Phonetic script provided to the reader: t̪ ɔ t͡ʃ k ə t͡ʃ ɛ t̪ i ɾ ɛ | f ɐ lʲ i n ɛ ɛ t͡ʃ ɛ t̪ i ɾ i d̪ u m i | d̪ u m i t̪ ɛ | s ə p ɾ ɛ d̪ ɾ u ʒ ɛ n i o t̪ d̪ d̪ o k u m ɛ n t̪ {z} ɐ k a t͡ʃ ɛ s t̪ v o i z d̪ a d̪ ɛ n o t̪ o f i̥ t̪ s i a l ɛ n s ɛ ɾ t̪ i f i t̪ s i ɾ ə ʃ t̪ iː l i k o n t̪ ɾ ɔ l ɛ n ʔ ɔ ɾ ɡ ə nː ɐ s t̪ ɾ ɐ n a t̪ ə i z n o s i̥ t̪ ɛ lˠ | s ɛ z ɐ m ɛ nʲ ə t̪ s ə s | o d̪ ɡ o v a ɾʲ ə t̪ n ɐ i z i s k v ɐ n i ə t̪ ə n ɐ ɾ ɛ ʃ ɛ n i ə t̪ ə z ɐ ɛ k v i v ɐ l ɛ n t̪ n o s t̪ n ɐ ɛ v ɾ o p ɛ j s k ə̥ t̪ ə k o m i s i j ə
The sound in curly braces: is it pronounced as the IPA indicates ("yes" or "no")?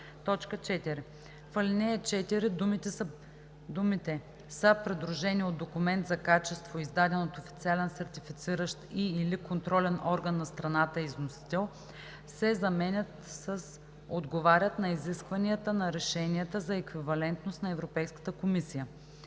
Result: yes